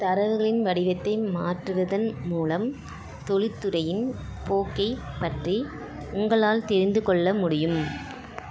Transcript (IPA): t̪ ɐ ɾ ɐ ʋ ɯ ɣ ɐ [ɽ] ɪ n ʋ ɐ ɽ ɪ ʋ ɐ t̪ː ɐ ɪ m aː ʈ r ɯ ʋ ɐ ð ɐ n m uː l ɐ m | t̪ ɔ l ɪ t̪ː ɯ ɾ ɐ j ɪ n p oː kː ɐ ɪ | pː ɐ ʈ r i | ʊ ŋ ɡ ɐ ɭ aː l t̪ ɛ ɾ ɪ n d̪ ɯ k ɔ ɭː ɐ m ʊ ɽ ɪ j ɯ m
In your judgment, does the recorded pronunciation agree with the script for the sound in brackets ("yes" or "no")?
no